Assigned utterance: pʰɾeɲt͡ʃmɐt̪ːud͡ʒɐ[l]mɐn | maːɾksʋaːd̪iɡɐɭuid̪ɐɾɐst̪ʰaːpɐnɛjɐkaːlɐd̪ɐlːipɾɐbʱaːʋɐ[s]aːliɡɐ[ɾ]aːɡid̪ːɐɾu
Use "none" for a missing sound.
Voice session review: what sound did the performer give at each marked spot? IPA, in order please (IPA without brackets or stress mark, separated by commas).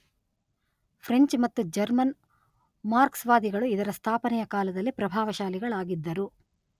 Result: ɾ, ʃ, ɭ